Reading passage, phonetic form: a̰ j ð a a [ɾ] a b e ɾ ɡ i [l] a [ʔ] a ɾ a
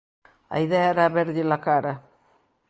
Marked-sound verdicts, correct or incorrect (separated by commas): correct, correct, incorrect